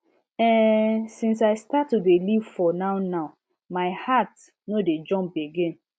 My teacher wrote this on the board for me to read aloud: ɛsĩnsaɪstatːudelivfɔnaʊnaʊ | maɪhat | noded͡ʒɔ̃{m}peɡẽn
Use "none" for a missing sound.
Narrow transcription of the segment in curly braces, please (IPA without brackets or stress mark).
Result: m